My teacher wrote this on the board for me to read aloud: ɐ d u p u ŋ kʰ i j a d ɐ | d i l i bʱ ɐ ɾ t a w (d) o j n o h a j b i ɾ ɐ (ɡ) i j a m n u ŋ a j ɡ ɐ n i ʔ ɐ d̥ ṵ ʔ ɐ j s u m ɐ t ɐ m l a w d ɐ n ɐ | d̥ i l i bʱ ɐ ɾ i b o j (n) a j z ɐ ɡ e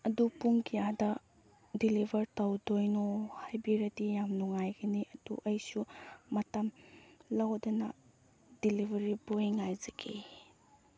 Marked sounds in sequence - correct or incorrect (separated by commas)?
correct, incorrect, incorrect